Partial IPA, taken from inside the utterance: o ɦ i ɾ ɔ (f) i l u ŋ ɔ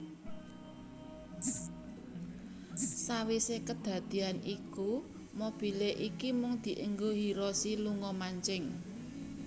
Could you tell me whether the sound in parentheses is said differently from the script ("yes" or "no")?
yes